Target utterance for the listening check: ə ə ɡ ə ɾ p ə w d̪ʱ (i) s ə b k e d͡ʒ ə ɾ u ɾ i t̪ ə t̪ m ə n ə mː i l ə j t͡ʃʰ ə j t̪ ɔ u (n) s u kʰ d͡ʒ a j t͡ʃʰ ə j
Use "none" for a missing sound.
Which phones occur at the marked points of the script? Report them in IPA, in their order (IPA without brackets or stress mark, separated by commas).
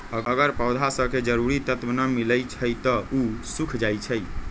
a, none